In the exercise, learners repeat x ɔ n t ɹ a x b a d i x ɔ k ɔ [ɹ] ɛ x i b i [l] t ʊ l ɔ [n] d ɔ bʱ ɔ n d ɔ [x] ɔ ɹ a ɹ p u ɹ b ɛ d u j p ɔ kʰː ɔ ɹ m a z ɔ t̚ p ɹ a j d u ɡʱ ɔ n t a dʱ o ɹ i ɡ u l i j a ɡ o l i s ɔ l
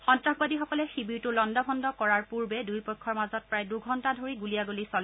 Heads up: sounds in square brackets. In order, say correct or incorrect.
incorrect: l, incorrect: ɹ, correct, incorrect: k

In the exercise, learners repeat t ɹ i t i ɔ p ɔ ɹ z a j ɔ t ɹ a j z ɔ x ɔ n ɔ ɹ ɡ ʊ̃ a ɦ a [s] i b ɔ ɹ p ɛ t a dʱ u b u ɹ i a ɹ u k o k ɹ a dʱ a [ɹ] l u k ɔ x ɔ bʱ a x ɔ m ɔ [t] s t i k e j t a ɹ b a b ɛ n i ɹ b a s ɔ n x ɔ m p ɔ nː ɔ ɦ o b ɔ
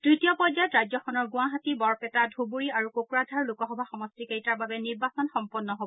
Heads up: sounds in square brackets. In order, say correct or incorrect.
incorrect: t, correct, incorrect: none

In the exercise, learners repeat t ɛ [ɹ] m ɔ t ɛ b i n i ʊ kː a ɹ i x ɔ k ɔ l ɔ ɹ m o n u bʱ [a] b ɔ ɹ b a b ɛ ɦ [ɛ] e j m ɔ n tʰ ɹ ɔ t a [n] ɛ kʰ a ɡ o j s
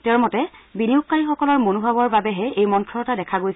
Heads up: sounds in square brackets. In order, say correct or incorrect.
correct, correct, correct, incorrect: d

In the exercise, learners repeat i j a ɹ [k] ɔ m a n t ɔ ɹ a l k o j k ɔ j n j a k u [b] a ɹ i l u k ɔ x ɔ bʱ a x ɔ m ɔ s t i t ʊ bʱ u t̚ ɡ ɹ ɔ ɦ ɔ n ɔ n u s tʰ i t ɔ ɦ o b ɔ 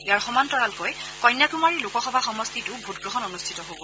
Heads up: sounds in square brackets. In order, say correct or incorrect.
incorrect: x, incorrect: m

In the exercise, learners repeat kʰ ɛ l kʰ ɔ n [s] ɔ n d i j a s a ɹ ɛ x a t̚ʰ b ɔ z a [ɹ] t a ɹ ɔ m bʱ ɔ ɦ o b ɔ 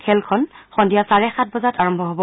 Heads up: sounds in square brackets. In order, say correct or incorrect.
incorrect: x, incorrect: none

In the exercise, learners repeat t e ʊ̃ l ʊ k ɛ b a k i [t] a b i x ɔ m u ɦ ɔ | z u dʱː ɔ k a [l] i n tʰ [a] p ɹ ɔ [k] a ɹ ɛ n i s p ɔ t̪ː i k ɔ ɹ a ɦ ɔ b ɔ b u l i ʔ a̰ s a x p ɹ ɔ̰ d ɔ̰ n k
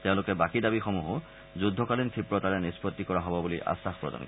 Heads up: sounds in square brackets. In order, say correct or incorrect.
incorrect: d, correct, incorrect: i, incorrect: t

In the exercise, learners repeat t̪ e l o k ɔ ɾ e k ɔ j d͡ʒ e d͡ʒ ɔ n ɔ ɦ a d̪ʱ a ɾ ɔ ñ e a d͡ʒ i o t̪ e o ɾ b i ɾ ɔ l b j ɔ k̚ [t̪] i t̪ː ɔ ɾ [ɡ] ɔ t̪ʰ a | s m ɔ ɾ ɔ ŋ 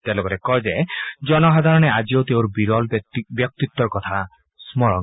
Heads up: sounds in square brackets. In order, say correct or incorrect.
correct, incorrect: k

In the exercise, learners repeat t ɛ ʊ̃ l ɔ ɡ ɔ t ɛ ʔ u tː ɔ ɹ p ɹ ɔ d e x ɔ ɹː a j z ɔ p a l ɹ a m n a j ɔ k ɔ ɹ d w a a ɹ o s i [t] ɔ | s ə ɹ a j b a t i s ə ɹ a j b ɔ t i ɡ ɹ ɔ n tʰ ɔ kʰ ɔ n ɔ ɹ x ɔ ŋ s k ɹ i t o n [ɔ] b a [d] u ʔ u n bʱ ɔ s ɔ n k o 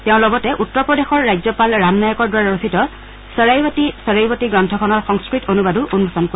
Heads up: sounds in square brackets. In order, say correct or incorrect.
correct, incorrect: u, correct

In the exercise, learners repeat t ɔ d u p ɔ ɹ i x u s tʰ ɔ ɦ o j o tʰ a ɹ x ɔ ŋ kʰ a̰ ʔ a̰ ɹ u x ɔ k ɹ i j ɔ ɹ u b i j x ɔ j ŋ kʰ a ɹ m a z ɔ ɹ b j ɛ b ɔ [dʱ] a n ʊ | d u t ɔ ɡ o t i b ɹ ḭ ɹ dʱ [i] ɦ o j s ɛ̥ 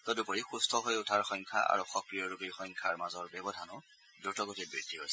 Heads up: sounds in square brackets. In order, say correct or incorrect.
correct, correct

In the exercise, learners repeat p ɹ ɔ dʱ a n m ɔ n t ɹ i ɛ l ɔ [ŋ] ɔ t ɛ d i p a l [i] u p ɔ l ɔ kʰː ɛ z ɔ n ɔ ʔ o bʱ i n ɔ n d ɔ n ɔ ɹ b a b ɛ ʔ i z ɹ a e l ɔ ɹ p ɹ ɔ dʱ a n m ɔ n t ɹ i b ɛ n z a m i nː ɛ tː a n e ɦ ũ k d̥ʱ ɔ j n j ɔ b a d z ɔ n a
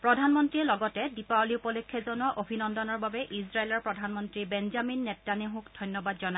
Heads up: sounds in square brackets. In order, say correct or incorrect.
incorrect: ɡ, correct

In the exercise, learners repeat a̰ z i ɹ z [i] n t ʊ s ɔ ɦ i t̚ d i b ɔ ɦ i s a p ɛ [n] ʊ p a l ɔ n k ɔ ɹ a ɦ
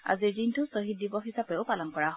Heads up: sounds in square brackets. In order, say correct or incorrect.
correct, incorrect: none

